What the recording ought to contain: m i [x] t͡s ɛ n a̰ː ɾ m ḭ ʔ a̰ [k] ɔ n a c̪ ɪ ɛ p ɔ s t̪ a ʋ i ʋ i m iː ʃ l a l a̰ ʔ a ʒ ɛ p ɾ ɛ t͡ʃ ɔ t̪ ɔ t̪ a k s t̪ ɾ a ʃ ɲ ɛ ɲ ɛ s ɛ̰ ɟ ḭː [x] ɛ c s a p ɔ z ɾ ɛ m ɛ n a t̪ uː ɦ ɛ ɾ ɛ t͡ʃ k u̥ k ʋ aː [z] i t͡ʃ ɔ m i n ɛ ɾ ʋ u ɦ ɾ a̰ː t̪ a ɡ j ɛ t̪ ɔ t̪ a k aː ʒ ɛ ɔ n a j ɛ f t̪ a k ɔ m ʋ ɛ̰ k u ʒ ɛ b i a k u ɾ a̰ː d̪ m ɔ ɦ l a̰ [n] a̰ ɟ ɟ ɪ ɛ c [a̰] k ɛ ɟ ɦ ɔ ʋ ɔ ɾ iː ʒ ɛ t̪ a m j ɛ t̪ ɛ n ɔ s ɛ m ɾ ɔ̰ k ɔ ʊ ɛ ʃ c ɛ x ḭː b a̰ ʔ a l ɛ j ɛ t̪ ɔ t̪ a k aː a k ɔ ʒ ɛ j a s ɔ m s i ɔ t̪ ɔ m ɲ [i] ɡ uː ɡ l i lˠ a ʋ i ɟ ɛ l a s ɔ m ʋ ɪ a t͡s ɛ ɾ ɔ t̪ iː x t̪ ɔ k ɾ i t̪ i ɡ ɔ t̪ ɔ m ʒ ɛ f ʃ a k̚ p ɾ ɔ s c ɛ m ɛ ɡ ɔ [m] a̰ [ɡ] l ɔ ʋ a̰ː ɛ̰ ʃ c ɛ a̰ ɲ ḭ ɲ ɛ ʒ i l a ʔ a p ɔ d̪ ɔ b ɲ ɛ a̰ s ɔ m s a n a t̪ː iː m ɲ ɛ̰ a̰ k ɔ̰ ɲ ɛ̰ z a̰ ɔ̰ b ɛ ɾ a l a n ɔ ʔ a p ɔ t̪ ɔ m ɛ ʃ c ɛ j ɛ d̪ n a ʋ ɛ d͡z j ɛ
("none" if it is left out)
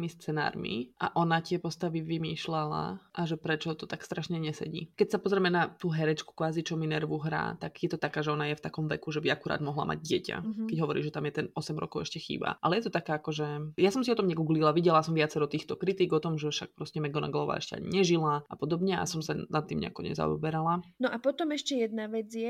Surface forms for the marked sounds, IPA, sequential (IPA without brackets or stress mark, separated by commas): s, ʔ, k, z, m, a̰, ɛ, n, ɡ